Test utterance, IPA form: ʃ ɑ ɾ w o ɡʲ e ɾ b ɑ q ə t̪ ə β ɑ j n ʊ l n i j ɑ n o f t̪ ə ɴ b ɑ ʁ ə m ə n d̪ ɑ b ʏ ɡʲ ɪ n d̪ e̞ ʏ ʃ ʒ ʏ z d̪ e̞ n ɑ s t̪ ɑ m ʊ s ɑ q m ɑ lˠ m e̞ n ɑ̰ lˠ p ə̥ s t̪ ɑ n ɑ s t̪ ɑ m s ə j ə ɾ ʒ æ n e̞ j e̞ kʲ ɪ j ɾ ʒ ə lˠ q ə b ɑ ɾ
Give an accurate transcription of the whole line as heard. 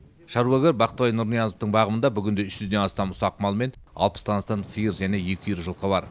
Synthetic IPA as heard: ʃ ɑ ɾ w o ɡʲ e ɾ b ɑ q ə t̪ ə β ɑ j n ʊ ɾ n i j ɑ n o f t̪ ə ɴ b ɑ ʁ ə m ə n d̪ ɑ b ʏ ɡʲ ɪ n d̪ e̞ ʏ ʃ ʒ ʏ z d̪ e̞ n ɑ s t̪ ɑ m ʊ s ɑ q m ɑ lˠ m e̞ n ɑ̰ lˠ p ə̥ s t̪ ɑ n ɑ s t̪ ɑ m s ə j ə ɾ ʒ æ n e̞ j e̞ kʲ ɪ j ɾ ʒ ə lˠ q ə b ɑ ɾ